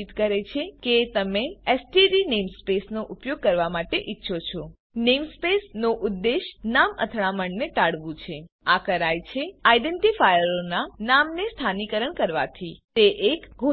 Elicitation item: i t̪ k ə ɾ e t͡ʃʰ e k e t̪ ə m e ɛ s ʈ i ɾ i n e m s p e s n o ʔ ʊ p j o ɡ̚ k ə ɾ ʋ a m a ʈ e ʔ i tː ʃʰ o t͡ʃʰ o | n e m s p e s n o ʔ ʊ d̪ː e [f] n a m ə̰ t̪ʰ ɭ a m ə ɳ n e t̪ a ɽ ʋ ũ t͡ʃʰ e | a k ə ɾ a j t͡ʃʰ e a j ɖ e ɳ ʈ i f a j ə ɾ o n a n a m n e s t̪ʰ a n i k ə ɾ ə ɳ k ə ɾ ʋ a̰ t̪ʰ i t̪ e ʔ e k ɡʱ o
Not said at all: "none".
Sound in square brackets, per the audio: ʃ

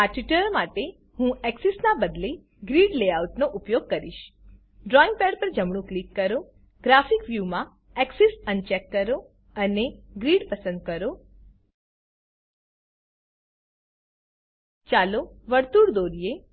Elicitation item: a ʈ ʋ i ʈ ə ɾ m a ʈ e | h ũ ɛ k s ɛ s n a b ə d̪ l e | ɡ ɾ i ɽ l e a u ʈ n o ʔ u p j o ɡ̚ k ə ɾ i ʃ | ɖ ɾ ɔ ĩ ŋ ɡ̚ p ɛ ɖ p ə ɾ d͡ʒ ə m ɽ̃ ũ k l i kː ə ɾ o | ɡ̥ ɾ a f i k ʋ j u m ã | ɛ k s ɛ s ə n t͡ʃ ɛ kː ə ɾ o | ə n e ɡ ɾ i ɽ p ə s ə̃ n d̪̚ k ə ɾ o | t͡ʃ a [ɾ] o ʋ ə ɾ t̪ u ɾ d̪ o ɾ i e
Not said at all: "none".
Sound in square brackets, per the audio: l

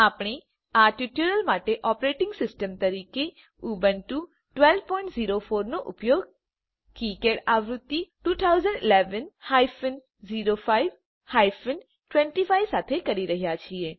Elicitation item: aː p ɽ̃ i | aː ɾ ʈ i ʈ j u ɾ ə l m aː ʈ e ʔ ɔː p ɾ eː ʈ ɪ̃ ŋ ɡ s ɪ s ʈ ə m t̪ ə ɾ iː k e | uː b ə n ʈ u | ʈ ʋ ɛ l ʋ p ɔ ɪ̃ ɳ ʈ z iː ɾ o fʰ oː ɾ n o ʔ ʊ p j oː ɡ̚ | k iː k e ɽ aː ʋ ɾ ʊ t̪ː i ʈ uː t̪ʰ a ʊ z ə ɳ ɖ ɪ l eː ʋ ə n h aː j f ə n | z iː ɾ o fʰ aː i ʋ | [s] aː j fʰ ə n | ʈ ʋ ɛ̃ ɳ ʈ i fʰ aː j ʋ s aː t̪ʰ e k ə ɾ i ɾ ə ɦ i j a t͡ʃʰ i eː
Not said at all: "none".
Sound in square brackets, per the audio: h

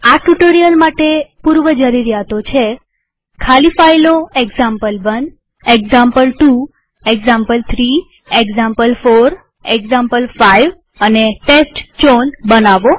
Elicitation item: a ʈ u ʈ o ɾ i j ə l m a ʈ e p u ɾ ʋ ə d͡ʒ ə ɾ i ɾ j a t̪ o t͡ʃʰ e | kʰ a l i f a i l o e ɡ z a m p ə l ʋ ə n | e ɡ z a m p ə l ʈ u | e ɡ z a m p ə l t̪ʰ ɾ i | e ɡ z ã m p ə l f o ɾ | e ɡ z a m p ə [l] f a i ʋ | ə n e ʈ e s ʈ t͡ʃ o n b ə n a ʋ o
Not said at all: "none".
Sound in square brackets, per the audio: l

